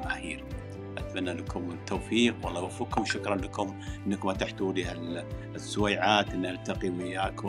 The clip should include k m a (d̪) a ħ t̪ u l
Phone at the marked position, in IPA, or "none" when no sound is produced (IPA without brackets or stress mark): t̪